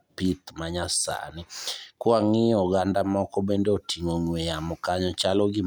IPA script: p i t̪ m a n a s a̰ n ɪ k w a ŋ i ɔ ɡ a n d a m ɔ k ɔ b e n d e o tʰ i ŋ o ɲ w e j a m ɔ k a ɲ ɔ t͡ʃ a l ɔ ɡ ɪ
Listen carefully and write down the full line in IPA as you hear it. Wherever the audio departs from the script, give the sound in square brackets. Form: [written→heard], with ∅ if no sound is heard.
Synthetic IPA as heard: p i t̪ m a [n→ɲ] a s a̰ n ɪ k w a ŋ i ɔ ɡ a n d a m ɔ k ɔ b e n d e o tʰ i ŋ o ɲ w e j a m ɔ k a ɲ ɔ t͡ʃ a l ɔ ɡ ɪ